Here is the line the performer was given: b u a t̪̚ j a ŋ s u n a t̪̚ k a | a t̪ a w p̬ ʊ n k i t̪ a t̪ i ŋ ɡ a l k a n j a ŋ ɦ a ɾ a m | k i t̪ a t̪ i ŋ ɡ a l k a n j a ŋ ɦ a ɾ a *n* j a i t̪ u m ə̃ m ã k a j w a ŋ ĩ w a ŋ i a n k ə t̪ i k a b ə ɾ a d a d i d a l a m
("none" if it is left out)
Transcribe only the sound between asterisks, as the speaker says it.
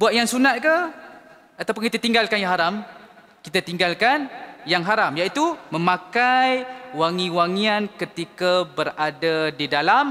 m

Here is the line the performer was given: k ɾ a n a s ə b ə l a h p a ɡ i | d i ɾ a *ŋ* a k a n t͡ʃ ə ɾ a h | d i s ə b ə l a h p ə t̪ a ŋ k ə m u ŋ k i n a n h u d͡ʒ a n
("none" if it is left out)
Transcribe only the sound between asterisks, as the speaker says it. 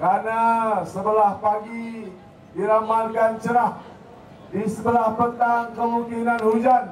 m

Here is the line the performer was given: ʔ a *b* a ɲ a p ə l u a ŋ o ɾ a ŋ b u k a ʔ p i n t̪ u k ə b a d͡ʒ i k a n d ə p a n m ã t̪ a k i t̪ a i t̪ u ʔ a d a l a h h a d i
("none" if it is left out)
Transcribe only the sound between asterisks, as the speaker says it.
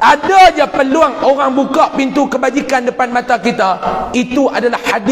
d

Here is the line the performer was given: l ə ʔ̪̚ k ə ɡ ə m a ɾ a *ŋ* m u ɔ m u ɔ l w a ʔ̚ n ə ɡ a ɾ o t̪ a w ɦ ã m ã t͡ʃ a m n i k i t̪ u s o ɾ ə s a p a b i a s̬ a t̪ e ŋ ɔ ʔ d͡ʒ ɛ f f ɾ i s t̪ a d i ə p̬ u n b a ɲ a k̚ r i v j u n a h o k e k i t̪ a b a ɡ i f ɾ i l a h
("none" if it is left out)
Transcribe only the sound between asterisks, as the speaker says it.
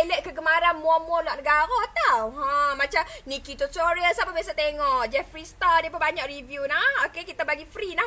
n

